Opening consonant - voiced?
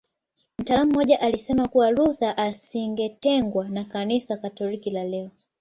yes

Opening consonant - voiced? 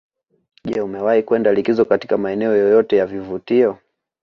yes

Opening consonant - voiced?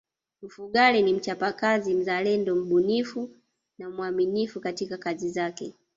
yes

